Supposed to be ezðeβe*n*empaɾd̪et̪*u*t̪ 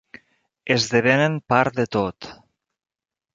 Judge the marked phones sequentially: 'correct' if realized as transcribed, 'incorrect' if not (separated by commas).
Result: correct, incorrect